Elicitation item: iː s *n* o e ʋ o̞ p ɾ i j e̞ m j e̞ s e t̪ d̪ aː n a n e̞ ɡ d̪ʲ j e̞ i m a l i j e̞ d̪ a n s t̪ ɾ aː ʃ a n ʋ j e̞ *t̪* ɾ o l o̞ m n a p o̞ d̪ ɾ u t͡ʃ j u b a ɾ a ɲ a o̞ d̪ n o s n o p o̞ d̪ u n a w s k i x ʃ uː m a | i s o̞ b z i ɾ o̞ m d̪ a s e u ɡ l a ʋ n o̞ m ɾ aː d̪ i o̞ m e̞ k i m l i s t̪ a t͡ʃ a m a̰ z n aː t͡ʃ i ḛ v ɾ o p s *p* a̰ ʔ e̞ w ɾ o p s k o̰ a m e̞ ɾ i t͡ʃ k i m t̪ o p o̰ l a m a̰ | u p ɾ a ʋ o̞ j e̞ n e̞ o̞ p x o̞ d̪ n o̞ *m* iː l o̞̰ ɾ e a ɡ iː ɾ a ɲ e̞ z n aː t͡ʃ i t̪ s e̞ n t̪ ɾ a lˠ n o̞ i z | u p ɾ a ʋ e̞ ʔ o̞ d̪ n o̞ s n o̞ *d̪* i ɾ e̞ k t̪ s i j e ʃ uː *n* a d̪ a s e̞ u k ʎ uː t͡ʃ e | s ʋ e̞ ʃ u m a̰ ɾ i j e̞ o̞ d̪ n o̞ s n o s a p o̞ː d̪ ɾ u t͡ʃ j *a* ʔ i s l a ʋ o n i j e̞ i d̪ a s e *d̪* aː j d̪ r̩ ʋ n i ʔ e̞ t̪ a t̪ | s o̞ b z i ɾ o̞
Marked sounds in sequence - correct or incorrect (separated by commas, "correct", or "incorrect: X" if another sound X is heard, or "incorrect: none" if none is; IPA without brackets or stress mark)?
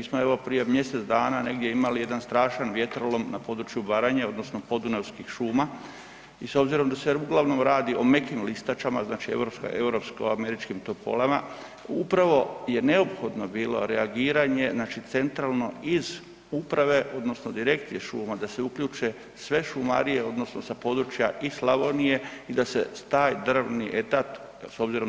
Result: incorrect: m, correct, incorrect: k, incorrect: b, correct, incorrect: m, correct, incorrect: t̪